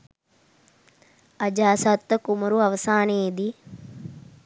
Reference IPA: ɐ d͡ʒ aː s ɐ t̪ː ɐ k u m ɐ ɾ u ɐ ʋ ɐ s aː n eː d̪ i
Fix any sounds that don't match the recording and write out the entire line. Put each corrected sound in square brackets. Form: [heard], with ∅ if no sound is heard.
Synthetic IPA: ɐ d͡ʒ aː s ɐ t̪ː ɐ k u m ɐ ɾ u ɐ ʋ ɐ s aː n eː d̪ i